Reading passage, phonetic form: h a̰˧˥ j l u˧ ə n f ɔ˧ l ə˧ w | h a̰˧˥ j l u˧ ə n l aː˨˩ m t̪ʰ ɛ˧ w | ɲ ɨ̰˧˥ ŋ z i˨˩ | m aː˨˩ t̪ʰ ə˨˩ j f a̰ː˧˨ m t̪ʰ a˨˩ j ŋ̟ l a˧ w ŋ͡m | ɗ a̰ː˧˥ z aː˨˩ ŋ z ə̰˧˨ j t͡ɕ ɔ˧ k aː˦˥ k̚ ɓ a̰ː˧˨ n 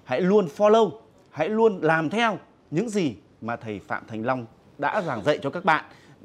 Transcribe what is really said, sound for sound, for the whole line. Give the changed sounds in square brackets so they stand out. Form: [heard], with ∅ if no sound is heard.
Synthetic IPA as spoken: h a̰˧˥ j l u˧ ə n f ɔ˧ l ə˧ w | h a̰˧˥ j l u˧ ə n l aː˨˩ m t̪ʰ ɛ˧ w | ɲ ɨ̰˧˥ ŋ z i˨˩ | m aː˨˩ t̪ʰ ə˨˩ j f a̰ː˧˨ m t̪ʰ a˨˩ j ŋ̟ l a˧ w ŋ͡m | ɗ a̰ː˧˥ z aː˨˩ ŋ z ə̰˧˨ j t͡ɕ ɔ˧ k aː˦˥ k̚ ɓ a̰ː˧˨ n